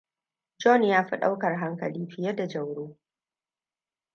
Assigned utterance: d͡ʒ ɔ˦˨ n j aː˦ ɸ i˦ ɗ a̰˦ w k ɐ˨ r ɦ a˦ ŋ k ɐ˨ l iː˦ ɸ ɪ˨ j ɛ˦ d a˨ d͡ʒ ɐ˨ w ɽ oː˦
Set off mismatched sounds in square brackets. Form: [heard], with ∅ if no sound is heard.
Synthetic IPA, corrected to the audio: d͡ʒ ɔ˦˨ n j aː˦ ɸ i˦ ɗ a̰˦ w k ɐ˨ r ɦ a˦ ŋ k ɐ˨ l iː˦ ɸ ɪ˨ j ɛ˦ d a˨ d͡ʒ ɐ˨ w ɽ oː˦

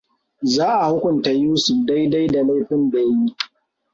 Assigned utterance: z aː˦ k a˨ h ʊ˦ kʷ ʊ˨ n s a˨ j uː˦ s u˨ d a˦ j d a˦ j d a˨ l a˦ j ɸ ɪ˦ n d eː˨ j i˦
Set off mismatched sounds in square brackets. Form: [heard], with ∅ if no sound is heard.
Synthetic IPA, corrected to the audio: z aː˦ [ʔ] a˨ h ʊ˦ kʷ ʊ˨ n [t] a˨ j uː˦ s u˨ d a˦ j d a˦ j d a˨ l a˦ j ɸ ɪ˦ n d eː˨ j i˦

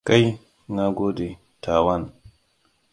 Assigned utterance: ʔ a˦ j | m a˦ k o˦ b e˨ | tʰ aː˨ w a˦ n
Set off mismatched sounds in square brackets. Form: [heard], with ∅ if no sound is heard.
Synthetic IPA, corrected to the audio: [k] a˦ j | [ŋ] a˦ [ɡ] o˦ [d] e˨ | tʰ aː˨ w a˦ n

